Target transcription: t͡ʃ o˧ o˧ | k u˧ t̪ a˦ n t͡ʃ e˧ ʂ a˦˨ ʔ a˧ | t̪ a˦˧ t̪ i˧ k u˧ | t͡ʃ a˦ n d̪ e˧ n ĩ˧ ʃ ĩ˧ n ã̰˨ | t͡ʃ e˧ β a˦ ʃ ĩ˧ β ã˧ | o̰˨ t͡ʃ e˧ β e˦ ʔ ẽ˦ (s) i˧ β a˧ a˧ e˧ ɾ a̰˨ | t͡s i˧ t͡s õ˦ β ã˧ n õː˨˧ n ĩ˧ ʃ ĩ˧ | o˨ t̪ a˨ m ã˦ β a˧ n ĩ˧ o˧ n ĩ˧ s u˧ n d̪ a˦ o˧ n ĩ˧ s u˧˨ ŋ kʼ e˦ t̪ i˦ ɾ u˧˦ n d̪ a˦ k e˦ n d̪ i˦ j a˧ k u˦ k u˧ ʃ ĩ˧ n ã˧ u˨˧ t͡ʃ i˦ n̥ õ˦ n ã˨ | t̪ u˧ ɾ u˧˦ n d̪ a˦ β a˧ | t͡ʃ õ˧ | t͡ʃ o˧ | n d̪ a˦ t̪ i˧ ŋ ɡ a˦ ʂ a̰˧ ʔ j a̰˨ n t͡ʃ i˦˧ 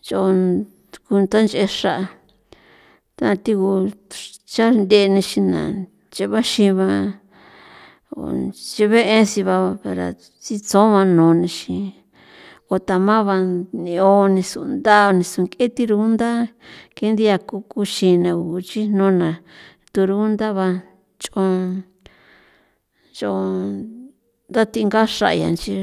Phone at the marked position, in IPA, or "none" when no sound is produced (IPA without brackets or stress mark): s